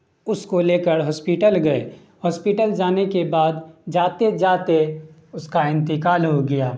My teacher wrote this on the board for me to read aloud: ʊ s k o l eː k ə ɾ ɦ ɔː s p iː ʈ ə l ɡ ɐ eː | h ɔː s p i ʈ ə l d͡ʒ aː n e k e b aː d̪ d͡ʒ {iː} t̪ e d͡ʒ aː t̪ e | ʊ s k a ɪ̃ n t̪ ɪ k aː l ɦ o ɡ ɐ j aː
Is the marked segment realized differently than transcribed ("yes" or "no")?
yes